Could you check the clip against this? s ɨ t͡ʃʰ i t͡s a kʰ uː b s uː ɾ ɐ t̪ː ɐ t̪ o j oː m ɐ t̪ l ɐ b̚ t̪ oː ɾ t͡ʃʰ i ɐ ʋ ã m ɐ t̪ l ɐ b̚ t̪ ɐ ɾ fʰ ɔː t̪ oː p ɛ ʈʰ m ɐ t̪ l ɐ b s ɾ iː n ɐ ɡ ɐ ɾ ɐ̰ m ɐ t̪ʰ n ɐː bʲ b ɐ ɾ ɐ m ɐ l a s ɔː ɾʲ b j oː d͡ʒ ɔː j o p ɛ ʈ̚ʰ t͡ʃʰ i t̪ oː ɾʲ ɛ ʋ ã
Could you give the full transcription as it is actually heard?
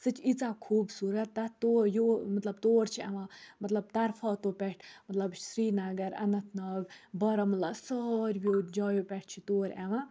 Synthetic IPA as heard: s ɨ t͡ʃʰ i t͡s a kʰ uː b s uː ɾ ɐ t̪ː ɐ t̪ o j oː m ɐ t̪ l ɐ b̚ t̪ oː ɾ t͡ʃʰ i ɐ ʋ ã m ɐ t̪ l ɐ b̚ t̪ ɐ ɾ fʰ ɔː t̪ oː p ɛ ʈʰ m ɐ t̪ l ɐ b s ɾ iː n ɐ ɡ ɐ ɾ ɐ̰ n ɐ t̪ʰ n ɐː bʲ b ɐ ɾ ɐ m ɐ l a s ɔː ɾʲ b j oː d͡ʒ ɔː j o p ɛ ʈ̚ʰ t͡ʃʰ i t̪ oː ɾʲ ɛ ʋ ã